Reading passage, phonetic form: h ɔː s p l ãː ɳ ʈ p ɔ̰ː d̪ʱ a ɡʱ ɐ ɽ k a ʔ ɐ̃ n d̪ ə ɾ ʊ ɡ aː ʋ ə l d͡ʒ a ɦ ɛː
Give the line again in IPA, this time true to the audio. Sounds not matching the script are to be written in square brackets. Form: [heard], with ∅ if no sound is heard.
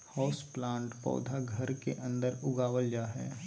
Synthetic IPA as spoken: h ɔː s p l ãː ɳ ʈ p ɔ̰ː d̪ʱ a ɡʱ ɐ [ɾ] k [e] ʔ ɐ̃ n d̪ ə ɾ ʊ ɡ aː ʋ ə l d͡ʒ a ɦ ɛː